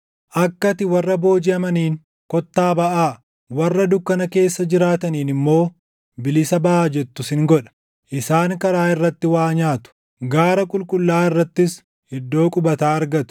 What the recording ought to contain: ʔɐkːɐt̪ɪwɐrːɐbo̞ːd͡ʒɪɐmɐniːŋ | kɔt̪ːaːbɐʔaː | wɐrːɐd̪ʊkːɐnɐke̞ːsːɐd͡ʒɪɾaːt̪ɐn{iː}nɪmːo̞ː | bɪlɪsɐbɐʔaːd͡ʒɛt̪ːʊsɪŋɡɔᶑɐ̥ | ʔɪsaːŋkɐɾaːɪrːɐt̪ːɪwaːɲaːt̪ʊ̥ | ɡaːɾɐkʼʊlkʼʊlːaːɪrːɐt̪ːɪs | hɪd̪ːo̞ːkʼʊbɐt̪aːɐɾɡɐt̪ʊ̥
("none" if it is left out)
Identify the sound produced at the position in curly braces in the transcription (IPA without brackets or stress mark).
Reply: iː